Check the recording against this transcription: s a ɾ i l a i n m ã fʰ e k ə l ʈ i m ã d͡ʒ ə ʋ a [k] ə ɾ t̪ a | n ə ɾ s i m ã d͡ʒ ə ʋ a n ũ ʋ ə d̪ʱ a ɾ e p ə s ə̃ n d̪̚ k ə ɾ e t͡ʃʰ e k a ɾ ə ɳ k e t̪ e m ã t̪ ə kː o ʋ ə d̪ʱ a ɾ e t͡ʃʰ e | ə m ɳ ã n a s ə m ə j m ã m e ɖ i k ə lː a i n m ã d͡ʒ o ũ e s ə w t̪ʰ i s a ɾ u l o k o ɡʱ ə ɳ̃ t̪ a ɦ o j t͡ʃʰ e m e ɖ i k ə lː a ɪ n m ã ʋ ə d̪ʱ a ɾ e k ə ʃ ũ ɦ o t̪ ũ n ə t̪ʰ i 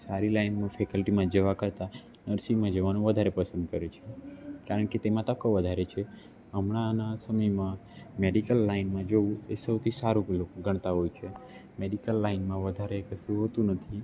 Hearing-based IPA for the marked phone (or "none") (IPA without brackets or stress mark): k